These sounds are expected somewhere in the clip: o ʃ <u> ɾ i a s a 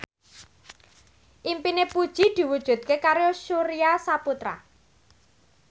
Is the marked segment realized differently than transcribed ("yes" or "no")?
no